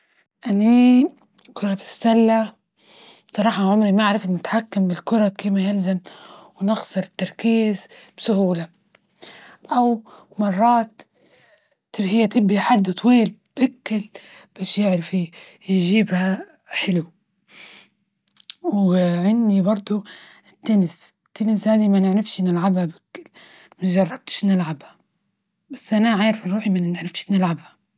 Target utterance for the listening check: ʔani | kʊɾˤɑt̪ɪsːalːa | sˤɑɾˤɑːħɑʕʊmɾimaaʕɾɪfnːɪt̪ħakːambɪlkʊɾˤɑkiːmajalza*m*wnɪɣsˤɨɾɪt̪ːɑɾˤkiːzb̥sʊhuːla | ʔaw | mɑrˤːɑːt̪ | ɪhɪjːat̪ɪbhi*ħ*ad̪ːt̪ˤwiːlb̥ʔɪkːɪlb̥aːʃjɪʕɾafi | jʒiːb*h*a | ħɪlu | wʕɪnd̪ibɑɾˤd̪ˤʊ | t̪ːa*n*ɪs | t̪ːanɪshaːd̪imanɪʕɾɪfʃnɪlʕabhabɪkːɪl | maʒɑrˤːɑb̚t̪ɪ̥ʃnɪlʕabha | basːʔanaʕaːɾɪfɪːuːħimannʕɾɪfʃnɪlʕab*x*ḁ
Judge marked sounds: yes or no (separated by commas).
yes, yes, yes, yes, no